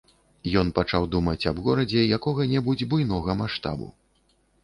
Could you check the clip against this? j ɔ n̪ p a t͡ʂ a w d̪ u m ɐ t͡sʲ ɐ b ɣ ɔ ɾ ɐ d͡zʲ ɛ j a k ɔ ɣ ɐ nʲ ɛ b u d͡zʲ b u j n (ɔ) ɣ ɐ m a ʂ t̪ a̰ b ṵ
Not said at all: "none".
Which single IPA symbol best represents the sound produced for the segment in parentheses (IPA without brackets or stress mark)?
ɔ